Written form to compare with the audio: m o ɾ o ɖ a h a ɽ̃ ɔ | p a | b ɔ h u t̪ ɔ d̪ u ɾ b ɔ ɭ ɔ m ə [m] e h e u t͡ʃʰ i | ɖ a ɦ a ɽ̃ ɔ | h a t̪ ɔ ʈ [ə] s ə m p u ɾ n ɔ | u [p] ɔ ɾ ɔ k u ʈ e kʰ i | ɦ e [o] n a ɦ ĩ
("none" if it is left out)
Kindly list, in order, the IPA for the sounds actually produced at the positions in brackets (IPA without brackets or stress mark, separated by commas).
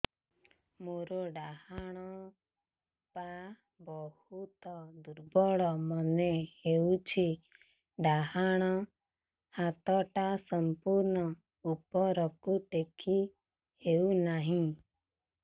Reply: n, a, p, u